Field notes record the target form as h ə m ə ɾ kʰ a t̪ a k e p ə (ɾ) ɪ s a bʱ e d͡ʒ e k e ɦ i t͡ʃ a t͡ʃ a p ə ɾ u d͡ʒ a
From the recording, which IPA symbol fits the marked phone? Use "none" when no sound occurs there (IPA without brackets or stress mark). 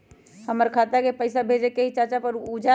none